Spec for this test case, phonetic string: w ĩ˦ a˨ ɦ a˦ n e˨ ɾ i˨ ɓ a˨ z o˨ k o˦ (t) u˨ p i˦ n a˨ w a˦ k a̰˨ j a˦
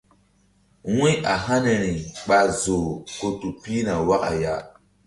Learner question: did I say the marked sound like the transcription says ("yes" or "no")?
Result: yes